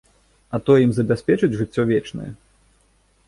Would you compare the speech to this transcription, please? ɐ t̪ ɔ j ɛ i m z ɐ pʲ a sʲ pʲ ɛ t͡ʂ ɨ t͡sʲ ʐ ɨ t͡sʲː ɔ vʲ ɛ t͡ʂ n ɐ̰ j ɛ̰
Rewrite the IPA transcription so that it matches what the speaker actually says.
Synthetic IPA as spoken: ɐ t̪ ɔ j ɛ i m z ɐ bʲ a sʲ pʲ ɛ t͡ʂ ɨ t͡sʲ ʐ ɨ t͡sʲː ɔ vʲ ɛ t͡ʂ n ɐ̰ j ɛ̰

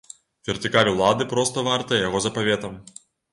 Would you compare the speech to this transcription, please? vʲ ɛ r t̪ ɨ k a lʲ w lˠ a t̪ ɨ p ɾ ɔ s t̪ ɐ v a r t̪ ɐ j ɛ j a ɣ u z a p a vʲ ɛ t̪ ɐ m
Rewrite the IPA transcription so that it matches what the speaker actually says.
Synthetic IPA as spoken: vʲ ɛ r t̪ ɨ k a lʲ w lˠ a d̪ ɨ p ɾ ɔ s t̪ ɐ v a r t̪ ɐ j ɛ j a ɣ ɔ z ɐ p a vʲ ɛ t̪ ɐ m

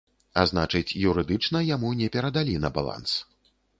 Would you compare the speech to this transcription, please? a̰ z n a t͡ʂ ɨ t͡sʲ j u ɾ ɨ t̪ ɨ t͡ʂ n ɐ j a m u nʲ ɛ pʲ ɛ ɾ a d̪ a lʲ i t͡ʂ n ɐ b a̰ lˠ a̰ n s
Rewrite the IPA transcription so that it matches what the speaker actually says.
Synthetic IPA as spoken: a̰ z n a t͡ʂ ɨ t͡sʲ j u ɾ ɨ d̪ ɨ t͡ʂ n ɐ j a m u nʲ ɛ pʲ ɛ ɾ ɐ d̪ a lʲ i n ɐ b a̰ lˠ a̰ n s

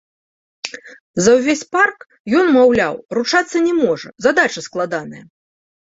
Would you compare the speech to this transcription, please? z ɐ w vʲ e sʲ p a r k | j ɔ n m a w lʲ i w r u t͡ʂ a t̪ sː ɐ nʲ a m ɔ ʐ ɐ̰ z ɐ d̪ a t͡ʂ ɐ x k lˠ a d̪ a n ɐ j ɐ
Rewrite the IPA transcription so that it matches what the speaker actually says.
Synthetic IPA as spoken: z ɐ w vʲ e sʲ p a r k | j ɔ n m a w lʲ a w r u t͡ʂ a t̪ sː ɐ nʲ ɛ m ɔ ʐ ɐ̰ z a d̪ a t͡ʂ ɐ s k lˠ a d̪ a n ɐ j ɐ

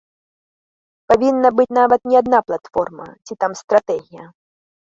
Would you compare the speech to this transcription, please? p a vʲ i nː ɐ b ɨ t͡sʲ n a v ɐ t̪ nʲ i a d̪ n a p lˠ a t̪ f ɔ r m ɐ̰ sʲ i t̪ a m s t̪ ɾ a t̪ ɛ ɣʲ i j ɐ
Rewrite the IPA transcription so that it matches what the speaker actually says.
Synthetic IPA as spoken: p a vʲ i nː ɐ b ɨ t͡sʲ n a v ɐ t̪ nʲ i a d̪ n a p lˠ a t̪ f ɔ r m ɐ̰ t͡sʲ i t̪ a m s t̪ ɾ a t̪ ɛ ɣʲ i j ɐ

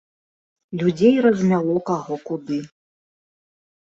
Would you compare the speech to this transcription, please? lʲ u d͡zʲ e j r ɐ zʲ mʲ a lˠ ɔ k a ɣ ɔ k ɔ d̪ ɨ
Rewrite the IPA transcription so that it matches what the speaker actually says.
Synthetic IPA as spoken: lʲ u d͡zʲ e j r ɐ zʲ mʲ a lˠ ɔ k a ɣ ɔ k u d̪ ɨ

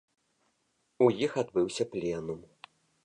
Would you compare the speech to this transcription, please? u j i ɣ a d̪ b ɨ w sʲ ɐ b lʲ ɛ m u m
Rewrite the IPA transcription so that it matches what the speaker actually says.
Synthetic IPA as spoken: u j i x a d̪ b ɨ w sʲ ɐ p lʲ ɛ n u m

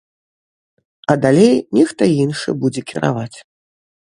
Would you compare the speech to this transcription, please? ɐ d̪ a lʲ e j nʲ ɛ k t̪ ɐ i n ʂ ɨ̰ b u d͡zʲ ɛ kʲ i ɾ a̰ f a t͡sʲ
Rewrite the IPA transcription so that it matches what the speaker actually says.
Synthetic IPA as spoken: ɐ d̪ a lʲ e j nʲ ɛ x t̪ ɐ i n ʂ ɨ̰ b u d͡zʲ ɛ kʲ i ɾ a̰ v a t͡sʲ

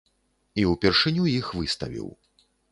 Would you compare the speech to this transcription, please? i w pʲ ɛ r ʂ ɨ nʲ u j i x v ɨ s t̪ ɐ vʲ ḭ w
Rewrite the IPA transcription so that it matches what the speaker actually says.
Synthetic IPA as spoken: i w pʲ ɛ r ʂ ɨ nʲ u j i x v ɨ s t̪ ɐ vʲ ḭ w

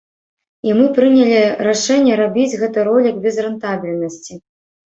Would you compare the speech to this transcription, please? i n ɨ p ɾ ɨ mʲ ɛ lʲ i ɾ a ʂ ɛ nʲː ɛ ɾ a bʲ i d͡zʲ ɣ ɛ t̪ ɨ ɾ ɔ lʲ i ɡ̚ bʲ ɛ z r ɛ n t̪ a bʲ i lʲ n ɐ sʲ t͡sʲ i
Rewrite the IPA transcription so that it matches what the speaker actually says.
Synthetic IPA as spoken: i m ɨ p ɾ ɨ nʲ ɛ lʲ i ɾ a ʂ ɛ nʲː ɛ ɾ a bʲ i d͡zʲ ɣ ɛ t̪ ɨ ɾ ɔ lʲ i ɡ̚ bʲ ɛ z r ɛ n t̪ a bʲ i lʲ n ɐ sʲ t͡sʲ i

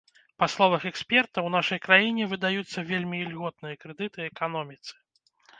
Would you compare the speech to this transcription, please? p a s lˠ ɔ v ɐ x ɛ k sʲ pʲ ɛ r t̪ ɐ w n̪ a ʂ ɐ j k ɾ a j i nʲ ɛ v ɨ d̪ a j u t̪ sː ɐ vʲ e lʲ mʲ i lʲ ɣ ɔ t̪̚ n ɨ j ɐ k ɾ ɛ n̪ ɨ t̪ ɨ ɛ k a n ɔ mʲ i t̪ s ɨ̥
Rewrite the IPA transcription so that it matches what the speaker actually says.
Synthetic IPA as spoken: p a s lˠ ɔ v ɐ x ɛ k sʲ pʲ ɛ r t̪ ɐ w n̪ a ʂ ɐ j k ɾ a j i nʲ ɛ v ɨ d̪ a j u t̪ sː ɐ vʲ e lʲ mʲ i lʲ ɣ ɔ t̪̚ n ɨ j ɐ k ɾ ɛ d̪ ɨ t̪ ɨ ɛ k a n ɔ mʲ i t̪ s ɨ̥

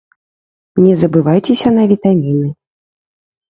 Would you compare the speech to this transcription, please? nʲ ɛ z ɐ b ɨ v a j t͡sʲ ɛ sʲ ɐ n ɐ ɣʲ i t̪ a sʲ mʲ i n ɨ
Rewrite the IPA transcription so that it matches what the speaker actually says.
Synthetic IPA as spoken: nʲ ɛ z ɐ b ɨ v a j t͡sʲ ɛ sʲ ɐ n ɐ vʲ i t̪ a mʲ i n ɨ

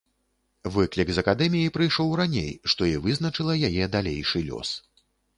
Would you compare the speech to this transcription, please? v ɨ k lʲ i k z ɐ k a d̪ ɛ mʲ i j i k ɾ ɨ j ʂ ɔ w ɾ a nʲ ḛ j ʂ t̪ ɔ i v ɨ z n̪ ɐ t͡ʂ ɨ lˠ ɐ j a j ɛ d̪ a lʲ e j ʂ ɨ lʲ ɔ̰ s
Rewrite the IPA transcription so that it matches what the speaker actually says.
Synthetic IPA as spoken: v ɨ k lʲ i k z ɐ k a d̪ ɛ mʲ i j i p ɾ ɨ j ʂ ɔ w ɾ a nʲ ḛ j ʂ t̪ ɔ i v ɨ z n̪ ɐ t͡ʂ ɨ lˠ ɐ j a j ɛ d̪ a lʲ e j ʂ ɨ lʲ ɔ̰ s

